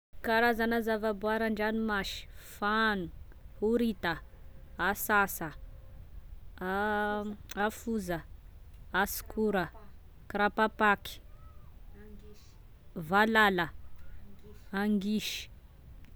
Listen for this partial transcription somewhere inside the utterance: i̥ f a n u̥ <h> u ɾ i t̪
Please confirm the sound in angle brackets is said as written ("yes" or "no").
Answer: yes